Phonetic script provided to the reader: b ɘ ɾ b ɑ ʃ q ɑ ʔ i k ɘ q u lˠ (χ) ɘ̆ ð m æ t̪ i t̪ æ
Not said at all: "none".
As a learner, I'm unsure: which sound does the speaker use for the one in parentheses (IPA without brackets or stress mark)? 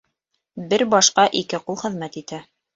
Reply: χ